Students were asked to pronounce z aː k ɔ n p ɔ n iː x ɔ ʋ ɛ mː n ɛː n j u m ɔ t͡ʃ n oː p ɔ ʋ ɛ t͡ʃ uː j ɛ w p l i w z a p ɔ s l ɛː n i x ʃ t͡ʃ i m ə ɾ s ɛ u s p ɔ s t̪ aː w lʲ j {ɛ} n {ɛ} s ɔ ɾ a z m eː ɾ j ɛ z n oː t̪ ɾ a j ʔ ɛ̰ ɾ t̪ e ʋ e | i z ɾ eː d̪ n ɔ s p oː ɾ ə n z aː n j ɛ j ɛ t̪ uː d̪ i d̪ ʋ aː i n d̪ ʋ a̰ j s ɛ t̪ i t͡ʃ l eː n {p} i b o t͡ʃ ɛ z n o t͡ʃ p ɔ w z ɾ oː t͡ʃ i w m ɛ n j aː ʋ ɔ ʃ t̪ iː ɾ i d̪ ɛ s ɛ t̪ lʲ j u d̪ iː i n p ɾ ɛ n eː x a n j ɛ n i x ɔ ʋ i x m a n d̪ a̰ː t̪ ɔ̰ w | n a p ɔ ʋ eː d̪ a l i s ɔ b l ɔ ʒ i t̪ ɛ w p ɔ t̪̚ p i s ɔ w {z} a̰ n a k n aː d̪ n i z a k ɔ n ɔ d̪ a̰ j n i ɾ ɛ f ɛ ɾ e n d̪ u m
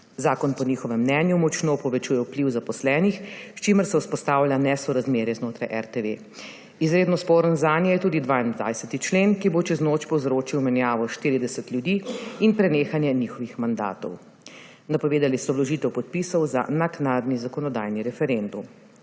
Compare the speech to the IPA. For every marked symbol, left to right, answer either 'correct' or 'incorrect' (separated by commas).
incorrect, correct, incorrect, correct